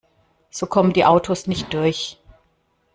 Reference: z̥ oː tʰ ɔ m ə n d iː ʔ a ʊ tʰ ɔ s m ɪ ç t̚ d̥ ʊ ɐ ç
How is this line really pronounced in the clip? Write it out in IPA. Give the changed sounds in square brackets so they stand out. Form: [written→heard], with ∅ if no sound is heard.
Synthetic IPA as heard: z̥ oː [tʰ→kʰ] ɔ m ə n d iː ʔ a ʊ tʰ [ɔ→o] s [m→n] ɪ ç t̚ d̥ ʊ ɐ ç